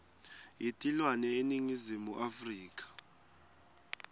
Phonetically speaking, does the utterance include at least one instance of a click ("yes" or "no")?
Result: no